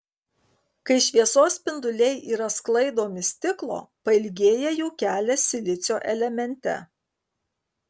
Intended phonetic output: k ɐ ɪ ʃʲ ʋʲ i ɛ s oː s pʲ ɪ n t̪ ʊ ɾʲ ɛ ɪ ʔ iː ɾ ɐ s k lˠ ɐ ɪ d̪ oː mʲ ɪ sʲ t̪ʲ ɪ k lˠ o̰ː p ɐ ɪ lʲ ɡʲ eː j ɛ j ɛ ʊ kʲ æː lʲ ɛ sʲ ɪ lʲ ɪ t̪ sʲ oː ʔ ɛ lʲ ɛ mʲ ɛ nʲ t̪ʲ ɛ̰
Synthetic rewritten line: k ɐ ɪ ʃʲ ʋʲ i ɛ s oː s pʲ ɪ n d̪ ʊ lʲ ɛ ɪ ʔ iː ɾ ɐ s k lˠ ɐ ɪ d̪ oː mʲ ɪ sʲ t̪ʲ ɪ k lˠ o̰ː p ɐ ɪ lʲ ɡʲ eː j ɛ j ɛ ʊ kʲ æː lʲ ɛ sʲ ɪ lʲ ɪ t̪ sʲ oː ʔ ɛ lʲ ɛ mʲ ɛ nʲ t̪ʲ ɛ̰